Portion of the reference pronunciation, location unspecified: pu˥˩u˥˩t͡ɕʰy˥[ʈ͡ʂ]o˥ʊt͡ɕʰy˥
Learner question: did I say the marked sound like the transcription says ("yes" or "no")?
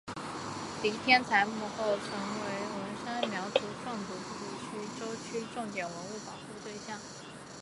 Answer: yes